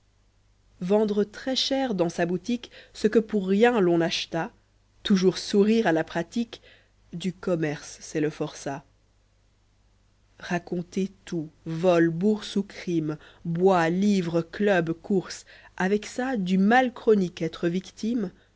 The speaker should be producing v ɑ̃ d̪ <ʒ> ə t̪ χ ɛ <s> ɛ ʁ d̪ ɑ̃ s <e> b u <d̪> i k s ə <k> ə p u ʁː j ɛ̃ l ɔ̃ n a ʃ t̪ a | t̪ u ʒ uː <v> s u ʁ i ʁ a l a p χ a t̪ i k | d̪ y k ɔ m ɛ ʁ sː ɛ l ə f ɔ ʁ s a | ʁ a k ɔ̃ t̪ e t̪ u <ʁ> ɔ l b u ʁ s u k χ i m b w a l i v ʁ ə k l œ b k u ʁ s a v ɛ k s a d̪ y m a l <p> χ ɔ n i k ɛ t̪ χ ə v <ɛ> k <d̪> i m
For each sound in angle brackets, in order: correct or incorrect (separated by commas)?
incorrect, incorrect, incorrect, incorrect, correct, incorrect, incorrect, incorrect, incorrect, incorrect